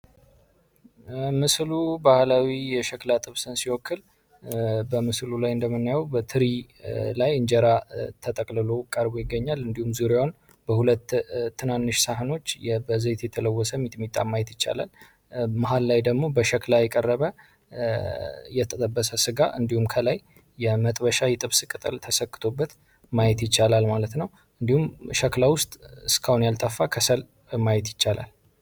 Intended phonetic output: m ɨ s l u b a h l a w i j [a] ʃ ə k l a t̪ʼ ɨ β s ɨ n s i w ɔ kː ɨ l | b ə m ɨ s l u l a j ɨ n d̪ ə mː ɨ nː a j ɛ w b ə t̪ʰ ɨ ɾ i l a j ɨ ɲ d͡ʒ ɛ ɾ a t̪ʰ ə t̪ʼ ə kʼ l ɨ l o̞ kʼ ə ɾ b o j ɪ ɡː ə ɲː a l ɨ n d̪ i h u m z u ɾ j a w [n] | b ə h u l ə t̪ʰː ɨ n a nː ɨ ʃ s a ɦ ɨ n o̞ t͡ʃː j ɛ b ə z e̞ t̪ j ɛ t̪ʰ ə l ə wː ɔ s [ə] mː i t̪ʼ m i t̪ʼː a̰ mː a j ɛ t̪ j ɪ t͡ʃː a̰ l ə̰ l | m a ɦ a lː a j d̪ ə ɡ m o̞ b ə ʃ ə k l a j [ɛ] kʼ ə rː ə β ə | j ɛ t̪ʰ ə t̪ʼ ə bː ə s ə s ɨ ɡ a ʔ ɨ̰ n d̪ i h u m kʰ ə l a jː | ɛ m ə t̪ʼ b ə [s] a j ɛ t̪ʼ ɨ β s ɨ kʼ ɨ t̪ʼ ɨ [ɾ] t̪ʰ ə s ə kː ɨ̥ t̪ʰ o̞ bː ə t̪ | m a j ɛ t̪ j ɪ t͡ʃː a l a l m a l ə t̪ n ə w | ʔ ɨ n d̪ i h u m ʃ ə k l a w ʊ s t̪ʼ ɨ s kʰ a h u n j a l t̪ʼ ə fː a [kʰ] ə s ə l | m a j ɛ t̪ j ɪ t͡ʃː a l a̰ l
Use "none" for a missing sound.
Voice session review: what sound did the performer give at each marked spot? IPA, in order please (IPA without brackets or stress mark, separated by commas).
ɛ, n, ə, ɛ, ʃ, l, kʰ